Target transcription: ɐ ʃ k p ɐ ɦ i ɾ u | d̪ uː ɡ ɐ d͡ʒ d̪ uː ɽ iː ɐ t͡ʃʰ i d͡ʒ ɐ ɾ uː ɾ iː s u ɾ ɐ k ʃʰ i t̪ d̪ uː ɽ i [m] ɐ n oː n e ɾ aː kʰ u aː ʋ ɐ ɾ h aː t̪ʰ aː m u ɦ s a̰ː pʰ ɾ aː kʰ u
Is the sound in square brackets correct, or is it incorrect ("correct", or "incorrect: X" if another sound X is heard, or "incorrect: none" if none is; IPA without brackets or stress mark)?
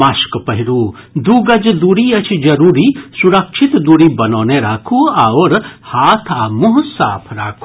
incorrect: b